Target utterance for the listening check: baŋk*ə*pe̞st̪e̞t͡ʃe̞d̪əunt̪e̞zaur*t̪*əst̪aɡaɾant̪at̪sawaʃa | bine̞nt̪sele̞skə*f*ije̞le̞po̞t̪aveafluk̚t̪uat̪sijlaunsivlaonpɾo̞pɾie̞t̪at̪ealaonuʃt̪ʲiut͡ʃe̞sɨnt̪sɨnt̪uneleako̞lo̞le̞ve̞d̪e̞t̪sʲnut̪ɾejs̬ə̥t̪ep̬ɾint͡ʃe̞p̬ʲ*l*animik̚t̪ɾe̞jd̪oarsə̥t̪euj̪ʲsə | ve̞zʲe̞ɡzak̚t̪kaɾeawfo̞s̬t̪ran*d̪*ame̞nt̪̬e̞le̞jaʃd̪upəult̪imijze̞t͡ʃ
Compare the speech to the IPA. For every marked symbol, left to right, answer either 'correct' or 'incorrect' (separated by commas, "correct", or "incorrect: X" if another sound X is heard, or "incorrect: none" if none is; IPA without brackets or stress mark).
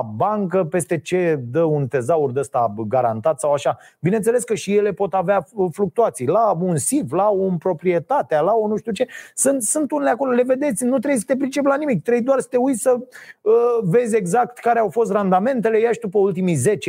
correct, incorrect: d̪, incorrect: ʃ, correct, correct